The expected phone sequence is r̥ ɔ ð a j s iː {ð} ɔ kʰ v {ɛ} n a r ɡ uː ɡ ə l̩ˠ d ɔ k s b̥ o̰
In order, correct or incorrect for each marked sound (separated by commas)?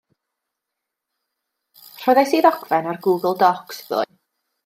correct, correct